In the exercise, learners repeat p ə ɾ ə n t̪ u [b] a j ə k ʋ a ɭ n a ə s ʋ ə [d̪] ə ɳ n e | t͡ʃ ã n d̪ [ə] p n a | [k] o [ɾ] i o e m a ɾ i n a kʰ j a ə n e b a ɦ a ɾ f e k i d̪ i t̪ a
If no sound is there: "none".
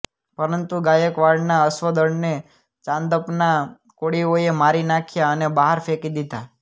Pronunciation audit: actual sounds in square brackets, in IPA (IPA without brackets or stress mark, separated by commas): ɡ, d̪, ə, k, ɽ